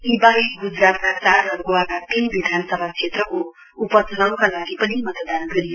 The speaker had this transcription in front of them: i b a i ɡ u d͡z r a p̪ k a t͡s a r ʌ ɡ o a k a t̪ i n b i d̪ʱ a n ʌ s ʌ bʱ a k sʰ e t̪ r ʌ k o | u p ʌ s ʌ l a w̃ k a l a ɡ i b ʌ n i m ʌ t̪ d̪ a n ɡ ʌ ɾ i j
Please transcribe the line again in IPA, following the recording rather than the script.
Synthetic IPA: i b a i ɡ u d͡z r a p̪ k a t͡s a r ʌ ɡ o a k a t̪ i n b i d̪ʱ a n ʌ s ʌ bʱ a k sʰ e t̪ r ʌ k o | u p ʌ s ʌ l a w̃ k a l a ɡ i p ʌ n i m ʌ t̪ d̪ a n ɡ ʌ ɾ i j